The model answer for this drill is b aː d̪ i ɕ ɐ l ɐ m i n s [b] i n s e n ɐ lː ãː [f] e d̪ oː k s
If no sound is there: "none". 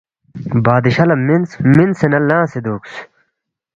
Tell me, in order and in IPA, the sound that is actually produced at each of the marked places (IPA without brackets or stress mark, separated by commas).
m, s